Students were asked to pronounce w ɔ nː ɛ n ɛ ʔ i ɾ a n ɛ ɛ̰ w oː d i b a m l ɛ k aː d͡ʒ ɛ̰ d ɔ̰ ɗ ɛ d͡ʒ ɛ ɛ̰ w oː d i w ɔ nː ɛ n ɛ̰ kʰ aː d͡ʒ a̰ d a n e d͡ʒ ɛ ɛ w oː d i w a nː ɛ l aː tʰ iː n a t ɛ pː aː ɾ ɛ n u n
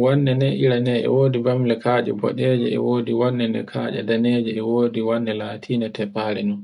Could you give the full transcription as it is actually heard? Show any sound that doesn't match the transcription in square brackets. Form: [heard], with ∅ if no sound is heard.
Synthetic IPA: w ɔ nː ɛ n ɛ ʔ i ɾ a n ɛ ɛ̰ w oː d i b a m l ɛ k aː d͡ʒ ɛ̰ [b] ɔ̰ ɗ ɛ d͡ʒ ɛ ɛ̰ w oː d i w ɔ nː ɛ n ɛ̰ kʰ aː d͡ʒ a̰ d a n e d͡ʒ ɛ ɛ w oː d i w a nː ɛ l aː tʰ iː n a t ɛ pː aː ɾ ɛ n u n

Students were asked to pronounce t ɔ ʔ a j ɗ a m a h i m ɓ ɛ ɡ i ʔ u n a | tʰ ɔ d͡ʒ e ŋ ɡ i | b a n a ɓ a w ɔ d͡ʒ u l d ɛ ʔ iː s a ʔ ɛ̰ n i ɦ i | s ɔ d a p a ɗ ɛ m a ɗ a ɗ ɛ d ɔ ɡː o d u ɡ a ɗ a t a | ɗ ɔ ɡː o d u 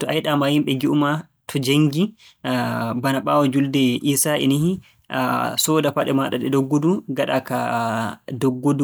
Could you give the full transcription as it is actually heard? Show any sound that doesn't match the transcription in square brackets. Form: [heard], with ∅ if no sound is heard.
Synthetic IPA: t ɔ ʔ a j ɗ a m a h i m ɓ ɛ ɡ i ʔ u [m] a | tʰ ɔ d͡ʒ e ŋ ɡ i | b a n a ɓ a w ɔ d͡ʒ u l d ɛ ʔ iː s a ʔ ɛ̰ n i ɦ i | s ɔ d a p a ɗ ɛ m a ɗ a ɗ ɛ d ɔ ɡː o d u ɡ a ɗ a [k] a | [d] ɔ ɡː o d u

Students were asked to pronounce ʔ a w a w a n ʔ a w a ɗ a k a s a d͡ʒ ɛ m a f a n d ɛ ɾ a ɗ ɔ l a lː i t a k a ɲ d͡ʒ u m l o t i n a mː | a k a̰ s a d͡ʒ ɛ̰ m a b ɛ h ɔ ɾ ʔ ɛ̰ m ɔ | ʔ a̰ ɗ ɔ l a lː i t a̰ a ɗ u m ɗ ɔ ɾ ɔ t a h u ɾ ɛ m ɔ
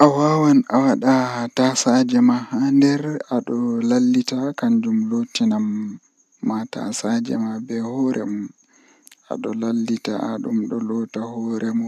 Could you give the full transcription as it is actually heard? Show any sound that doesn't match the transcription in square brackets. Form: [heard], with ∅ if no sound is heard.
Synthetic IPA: ʔ a w a w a n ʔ a w a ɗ a [t] a s a d͡ʒ ɛ m a [h] a n d ɛ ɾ a ɗ ɔ l a lː i t a k a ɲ d͡ʒ u m l o t i n a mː | a [t] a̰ s a d͡ʒ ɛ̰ m a b ɛ h ɔ ɾ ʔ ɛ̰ m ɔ | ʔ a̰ ɗ ɔ l a lː i t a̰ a ɗ u m ɗ ɔ [l] ɔ t a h [ɔ] ɾ ɛ m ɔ

